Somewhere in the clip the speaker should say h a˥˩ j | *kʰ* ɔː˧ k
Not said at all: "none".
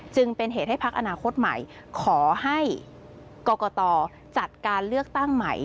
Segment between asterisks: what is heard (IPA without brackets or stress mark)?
k